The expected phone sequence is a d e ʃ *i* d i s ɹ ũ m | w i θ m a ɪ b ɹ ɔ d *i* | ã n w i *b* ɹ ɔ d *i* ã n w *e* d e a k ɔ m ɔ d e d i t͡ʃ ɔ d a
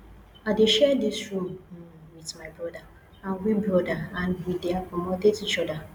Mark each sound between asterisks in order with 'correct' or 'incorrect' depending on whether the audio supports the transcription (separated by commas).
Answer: incorrect, incorrect, correct, incorrect, incorrect